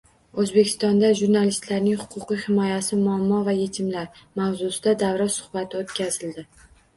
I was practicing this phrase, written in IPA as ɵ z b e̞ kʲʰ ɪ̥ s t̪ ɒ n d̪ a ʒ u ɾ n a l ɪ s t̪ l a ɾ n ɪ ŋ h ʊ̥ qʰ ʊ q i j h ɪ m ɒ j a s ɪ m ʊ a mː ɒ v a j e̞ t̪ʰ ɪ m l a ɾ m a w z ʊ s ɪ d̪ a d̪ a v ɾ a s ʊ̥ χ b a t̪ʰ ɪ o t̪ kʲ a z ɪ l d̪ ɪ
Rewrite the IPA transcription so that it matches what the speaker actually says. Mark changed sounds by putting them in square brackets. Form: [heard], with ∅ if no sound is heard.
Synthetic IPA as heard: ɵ z b e̞ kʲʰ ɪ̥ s t̪ ɒ n d̪ a ʒ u ɾ n a l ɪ s t̪ l a ɾ n ɪ ŋ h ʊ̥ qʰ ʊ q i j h ɪ m ɒ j a s ɪ m ʊ a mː ɒ v a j e̞ t̪ʰ ɪ m l a ɾ m a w z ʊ s ɪ d̪ a d̪ a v ɾ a s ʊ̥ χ b a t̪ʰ ɪ o t̪ kʲ a z ɪ l d̪ ɪ

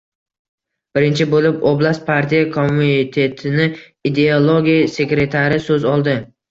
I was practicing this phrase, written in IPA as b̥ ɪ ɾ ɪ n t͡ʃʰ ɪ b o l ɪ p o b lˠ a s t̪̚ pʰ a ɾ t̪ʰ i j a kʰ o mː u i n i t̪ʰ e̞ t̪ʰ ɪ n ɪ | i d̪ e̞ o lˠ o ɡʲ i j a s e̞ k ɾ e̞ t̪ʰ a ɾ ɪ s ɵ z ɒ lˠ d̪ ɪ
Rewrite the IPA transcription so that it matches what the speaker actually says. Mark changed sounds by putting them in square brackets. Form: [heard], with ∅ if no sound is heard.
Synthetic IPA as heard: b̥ ɪ ɾ ɪ n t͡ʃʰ ɪ b o l ɪ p o b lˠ a s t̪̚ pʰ a ɾ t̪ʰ i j a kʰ o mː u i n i t̪ʰ e̞ t̪ʰ ɪ n ɪ | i d̪ e̞ o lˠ o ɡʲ i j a s e̞ k ɾ e̞ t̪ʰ a ɾ ɪ s ɵ z ɒ lˠ d̪ ɪ

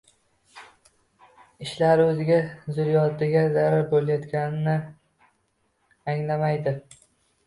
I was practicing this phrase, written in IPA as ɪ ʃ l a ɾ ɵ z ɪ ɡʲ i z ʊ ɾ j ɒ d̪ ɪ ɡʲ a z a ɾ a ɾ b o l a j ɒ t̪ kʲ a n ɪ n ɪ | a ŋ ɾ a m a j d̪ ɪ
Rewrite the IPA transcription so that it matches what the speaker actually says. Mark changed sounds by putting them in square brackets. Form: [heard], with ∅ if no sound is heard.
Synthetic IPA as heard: ɪ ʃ l a ɾ ɵ z ɪ ɡʲ [a] z ʊ ɾ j ɒ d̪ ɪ ɡʲ a z a ɾ a ɾ b o l a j ɒ t̪ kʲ a n ɪ n ɪ | a ŋ [l] a m a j d̪ ɪ

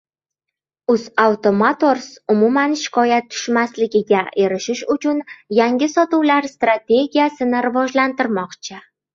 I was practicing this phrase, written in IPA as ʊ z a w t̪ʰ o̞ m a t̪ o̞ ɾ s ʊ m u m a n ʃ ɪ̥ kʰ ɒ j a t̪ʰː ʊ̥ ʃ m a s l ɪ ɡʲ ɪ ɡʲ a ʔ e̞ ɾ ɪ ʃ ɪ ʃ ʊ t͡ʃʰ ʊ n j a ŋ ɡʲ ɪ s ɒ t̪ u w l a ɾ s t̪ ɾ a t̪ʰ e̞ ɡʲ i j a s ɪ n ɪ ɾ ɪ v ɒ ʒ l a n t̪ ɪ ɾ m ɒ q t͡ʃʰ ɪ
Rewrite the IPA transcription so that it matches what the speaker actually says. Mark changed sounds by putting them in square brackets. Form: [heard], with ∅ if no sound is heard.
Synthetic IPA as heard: ʊ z a w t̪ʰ o̞ m a t̪ o̞ ɾ s ʊ m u m a n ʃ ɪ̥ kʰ ɒ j a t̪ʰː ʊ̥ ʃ m a s l ɪ ɡʲ ɪ ɡʲ a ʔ e̞ ɾ ɪ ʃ ɪ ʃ ʊ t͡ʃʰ ʊ n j a ŋ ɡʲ ɪ s ɒ t̪ u w l a ɾ s t̪ ɾ a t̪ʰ e̞ ɡʲ i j a s ɪ n ɪ ɾ ɪ v ɒ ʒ l a n t̪ ɪ ɾ m ɒ q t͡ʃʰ ɪ

